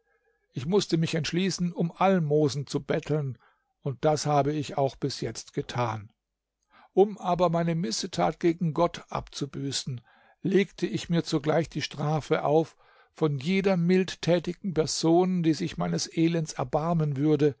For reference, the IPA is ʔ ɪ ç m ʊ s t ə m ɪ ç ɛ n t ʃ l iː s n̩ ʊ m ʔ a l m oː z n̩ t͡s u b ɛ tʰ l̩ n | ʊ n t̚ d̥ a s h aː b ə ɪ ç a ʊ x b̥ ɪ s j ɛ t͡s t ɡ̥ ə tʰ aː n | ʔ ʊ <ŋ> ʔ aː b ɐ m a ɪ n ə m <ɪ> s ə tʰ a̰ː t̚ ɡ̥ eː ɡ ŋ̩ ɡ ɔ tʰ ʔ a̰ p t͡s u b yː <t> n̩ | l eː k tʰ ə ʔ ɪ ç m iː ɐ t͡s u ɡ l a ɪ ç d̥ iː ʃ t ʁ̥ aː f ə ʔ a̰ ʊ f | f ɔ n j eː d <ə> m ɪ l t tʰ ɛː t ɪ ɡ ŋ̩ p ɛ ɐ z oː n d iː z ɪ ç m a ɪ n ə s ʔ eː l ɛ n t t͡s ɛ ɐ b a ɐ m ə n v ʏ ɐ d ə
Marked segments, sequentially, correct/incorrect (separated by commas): incorrect, correct, incorrect, incorrect